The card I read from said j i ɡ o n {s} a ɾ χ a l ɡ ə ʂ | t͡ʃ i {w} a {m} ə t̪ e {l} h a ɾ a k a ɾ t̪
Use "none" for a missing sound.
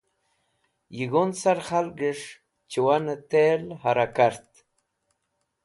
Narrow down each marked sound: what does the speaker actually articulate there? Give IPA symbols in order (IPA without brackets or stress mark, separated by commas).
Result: s, w, n, l